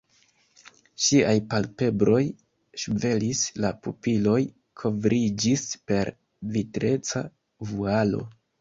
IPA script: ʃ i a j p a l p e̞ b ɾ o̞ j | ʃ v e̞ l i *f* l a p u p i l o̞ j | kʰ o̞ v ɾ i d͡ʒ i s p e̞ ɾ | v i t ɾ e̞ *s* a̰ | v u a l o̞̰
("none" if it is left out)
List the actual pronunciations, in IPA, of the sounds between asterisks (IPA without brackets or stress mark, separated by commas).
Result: s, t͡s